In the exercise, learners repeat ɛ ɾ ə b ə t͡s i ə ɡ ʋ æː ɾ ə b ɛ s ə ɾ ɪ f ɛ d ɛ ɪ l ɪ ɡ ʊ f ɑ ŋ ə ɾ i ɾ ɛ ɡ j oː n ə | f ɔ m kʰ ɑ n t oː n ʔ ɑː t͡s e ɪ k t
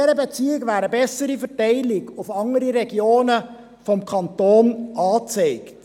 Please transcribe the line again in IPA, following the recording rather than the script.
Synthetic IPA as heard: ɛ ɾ ə b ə t͡s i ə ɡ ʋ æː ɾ ə b ɛ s ə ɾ i f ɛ t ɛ ɪ l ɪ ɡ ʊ f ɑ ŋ ə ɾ i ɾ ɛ ɡ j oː n ə | f ɔ m kʰ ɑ n t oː n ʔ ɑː t͡s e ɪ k t